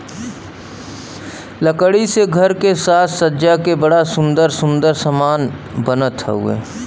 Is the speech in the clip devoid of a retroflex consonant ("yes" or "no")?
no